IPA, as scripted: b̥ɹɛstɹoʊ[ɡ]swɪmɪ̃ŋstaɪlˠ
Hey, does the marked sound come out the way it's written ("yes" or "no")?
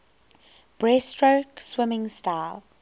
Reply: no